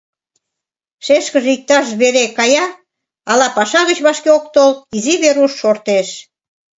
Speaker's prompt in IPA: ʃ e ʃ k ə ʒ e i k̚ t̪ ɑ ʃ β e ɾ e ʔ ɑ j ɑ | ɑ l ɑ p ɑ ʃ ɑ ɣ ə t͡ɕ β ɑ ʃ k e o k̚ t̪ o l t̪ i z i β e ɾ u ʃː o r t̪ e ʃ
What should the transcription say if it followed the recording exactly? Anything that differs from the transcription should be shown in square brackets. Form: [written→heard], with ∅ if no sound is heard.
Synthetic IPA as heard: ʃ e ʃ k ə ʒ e i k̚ t̪ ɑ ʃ β e ɾ e [ʔ→k] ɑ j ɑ | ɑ l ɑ p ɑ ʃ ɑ ɣ ə t͡ɕ β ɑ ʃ k e o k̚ t̪ o l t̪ i z i β e ɾ u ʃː o r t̪ e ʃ

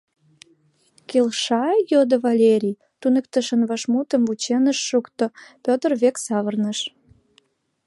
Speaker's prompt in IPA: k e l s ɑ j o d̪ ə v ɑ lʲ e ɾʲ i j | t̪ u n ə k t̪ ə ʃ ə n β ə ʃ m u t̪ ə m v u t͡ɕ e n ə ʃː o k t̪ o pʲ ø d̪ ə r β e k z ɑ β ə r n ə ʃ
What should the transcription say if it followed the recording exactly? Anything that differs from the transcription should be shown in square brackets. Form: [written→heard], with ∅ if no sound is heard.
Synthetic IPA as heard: k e l [s→ʃ] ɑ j o d̪ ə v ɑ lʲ e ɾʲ i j | t̪ u n ə k t̪ ə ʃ ə n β [ə→ɑ] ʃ m u t̪ ə m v u t͡ɕ e n ə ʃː [o→u] k t̪ o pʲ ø [d̪→t̪] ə r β e k [z→s] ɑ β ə r n ə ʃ

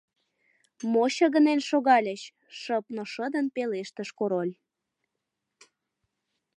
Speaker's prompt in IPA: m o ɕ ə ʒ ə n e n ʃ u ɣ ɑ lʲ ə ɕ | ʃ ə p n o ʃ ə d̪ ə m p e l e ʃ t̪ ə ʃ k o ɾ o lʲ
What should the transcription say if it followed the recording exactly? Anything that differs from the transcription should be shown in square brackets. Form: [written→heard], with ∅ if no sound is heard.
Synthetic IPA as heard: m o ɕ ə [ʒ→ɣ] ə n e n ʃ [u→o] ɣ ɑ lʲ ə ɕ | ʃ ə p n o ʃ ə d̪ ə [m→n] p e l e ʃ t̪ ə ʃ k o ɾ o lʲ

